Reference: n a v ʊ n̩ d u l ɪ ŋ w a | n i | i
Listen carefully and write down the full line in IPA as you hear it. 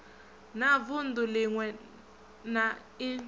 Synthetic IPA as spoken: n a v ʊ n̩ d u l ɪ ŋ w ɛ | n a | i

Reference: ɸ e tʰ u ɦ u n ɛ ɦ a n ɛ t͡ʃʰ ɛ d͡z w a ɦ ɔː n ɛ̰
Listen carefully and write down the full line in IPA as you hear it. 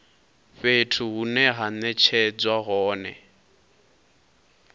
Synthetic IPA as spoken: ɸ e tʰ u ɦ u n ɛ ɦ a n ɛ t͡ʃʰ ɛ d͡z w a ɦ ɔː n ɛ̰

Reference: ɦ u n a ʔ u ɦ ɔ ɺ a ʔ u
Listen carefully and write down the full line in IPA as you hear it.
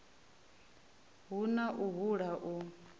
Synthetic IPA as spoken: ɦ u n a ʔ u ɦ u ɺ a ʔ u

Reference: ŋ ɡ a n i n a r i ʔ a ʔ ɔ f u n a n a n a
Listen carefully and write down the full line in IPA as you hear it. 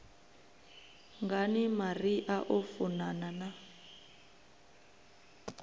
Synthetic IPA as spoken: ŋ ɡ a n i m a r i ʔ a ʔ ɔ f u n a n a n a

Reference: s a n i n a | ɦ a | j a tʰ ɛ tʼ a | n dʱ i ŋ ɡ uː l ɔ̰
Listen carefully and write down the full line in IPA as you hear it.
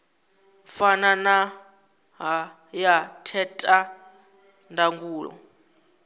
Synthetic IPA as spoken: f a n a n a | ɦ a | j a tʰ ɛ tʼ a | n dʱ a ŋ ɡ uː l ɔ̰

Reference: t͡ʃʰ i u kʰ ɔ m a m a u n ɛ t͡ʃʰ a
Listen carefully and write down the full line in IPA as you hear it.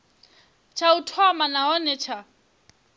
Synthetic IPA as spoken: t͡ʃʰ a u tʰ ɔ m a n a ɔ n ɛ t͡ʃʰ a

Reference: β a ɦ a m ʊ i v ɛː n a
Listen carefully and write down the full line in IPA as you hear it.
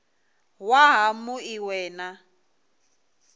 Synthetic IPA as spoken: w a ɦ a m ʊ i w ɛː n a

